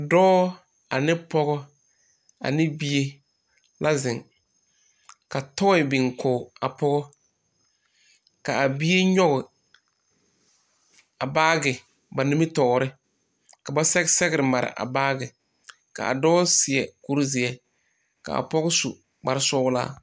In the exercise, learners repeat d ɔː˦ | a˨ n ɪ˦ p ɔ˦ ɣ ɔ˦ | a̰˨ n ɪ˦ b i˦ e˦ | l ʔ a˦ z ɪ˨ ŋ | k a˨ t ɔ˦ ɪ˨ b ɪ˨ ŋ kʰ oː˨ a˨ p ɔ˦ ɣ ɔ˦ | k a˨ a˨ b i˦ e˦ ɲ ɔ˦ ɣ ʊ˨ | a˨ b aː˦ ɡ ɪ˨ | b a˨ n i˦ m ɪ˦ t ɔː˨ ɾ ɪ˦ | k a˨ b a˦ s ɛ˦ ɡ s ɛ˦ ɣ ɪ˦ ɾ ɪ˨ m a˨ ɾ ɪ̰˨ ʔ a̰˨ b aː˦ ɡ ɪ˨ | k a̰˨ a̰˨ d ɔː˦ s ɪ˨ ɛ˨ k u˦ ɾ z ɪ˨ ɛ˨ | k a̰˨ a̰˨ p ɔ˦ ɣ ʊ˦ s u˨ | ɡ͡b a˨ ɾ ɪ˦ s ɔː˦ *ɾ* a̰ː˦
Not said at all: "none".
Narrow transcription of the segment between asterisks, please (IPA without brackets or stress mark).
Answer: l